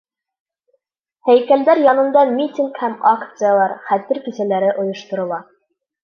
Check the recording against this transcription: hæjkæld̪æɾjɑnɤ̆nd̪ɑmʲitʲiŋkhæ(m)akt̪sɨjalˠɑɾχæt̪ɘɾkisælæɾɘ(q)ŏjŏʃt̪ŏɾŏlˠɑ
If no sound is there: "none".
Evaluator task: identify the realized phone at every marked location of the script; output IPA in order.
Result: m, ʔ

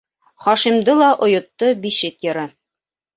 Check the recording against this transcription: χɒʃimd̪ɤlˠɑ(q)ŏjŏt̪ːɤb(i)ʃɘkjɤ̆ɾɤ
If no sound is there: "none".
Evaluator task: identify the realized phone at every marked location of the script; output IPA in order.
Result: ʔ, i

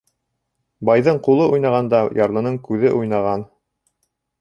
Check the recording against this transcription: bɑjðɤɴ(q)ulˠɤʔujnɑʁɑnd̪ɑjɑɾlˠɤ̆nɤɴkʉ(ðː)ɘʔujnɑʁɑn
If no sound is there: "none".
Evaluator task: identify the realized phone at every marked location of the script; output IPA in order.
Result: q, ð

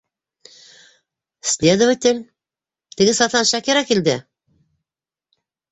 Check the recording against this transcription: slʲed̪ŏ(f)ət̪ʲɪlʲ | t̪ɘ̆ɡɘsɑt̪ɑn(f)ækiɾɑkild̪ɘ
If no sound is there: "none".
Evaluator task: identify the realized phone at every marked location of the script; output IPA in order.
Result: v, ʃ

